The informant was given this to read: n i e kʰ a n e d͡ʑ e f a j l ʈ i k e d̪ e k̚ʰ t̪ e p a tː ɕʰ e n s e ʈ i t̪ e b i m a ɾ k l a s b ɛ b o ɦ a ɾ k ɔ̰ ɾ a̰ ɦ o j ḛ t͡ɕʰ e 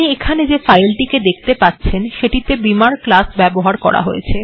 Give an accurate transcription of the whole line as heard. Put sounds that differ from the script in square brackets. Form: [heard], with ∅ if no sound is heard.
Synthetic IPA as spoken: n i e kʰ a n e d͡ʑ e f a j l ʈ i k e d̪ e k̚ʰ t̪ e p a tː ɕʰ e n [ʃ] e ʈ i t̪ e b i m a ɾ k l a s b ɛ b o ɦ a ɾ k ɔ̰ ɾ a̰ ɦ o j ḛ t͡ɕʰ e